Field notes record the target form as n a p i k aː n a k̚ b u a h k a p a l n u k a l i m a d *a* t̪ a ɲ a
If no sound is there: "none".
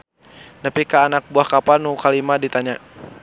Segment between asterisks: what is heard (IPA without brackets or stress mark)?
i